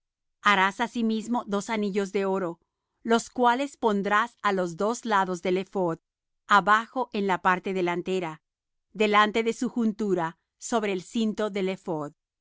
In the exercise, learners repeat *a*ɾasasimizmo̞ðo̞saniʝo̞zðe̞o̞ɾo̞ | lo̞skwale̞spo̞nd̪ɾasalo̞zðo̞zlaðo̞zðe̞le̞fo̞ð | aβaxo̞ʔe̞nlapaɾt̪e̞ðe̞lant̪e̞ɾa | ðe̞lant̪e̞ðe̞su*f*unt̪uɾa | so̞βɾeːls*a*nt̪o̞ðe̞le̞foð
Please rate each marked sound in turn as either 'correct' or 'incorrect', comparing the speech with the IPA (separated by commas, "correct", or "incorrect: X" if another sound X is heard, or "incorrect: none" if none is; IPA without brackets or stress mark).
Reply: correct, incorrect: x, incorrect: i